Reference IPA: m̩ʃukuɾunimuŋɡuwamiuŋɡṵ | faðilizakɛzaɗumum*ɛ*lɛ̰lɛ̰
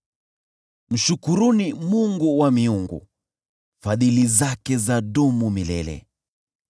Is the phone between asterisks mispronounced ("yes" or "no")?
yes